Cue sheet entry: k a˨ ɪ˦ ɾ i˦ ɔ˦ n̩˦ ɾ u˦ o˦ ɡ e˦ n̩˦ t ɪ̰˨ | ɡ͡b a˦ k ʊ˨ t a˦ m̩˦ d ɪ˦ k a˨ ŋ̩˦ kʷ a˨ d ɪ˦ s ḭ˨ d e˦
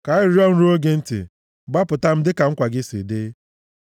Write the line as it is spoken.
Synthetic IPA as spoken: k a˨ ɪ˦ ɾ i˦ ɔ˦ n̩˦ ɾ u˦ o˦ ɡ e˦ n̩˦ t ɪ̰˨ | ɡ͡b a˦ p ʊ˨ t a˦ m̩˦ d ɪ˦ k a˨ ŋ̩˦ kʷ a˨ ɡ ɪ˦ s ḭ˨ d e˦